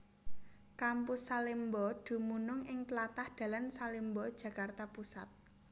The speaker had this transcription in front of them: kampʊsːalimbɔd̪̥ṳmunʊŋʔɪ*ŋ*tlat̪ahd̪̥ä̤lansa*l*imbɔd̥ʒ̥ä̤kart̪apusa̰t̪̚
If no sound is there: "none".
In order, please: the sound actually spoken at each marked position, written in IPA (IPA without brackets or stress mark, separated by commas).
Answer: ŋ, l